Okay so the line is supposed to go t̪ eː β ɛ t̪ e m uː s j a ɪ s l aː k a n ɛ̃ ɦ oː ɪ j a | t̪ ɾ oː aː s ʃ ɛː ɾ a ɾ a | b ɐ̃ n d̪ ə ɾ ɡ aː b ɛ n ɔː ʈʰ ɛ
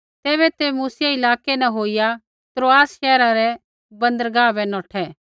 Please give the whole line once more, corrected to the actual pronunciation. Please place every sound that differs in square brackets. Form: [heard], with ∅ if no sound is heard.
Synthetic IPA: t̪ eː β ɛ t̪ e m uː s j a ɪ [∅] l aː k [e] n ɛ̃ ɦ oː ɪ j a | t̪ ɾ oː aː s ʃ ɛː ɾ a ɾ [ɛ] | b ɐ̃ n d̪ ə ɾ ɡ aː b ɛ n ɔː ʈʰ ɛ

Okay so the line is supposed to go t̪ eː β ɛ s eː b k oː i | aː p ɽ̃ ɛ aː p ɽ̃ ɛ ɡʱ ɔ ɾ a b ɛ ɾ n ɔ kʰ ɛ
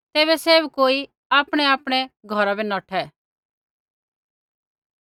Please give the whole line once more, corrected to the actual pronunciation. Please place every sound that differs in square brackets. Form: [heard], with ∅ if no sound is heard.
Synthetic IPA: t̪ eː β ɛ s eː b k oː i | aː p ɽ̃ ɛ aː p ɽ̃ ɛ ɡʱ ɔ ɾ a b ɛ [∅] n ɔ [ʈʰ] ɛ

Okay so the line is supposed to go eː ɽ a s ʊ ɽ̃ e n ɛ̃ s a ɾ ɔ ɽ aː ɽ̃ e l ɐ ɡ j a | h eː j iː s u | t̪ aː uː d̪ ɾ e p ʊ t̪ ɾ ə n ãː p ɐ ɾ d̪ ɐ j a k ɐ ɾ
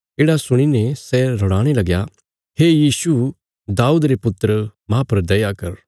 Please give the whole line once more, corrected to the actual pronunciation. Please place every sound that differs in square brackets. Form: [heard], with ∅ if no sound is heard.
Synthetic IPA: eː ɽ a s ʊ ɽ̃ [i] n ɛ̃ s [ɛ] ɾ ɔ ɽ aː ɽ̃ e l ɐ ɡ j a | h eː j iː s u | [d̪] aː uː d̪ ɾ e p ʊ t̪ ɾ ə [m] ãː p ɐ ɾ d̪ ɐ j a k ɐ ɾ

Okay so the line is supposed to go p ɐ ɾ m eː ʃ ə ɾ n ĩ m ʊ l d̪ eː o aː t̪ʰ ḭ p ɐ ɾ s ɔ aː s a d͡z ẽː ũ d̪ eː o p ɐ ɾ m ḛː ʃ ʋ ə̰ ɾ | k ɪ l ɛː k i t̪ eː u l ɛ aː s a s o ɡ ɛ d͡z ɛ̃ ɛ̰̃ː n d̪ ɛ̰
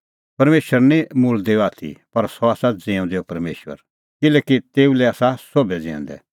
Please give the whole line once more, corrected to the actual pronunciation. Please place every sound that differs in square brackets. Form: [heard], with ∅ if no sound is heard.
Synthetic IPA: p ɐ ɾ m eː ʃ ə ɾ n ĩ m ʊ l d̪ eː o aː t̪ʰ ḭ p ɐ ɾ s ɔ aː s a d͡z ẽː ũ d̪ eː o p ɐ ɾ m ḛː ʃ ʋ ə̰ ɾ | k ɪ l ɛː k i t̪ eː u l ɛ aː s a s o [b] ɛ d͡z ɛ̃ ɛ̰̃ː n d̪ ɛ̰

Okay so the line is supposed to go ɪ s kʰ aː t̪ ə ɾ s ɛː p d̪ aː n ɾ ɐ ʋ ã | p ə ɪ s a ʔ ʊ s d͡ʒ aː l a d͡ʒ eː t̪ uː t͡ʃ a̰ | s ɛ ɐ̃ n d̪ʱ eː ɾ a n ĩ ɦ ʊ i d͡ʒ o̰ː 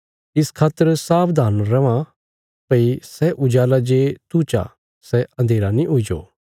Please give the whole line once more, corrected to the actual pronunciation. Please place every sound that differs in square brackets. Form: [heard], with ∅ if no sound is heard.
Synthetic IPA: ɪ s kʰ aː t̪ ə ɾ s [aː] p d̪ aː n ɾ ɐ ʋ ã | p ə [i] s [ɛ] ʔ ʊ [∅] d͡ʒ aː l a d͡ʒ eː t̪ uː t͡ʃ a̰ | s ɛ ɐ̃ n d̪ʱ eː ɾ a n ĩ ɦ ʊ i d͡ʒ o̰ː

